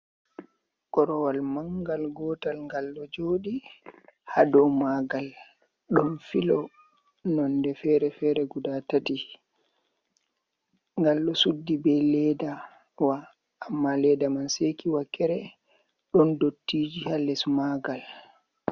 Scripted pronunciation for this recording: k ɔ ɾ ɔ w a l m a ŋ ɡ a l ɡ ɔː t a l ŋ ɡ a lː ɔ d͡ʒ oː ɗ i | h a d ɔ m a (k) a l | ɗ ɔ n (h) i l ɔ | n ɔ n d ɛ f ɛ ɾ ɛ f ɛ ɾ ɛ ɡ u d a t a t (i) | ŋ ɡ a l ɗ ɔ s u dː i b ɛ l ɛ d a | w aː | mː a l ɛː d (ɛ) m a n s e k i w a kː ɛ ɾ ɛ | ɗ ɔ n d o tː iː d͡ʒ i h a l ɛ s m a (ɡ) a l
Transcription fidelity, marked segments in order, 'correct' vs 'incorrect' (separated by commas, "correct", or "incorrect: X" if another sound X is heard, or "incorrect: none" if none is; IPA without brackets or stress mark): incorrect: ɡ, incorrect: f, correct, incorrect: a, correct